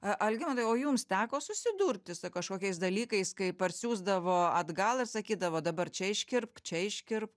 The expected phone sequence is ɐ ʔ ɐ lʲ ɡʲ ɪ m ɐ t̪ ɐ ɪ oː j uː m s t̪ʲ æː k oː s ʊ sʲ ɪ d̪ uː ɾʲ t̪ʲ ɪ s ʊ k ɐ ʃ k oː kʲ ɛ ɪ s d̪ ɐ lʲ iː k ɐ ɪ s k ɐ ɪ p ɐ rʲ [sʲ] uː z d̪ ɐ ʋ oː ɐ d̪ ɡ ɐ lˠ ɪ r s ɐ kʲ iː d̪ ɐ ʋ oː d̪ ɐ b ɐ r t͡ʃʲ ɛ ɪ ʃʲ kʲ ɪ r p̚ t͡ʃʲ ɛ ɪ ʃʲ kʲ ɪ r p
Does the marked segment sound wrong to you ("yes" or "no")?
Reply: no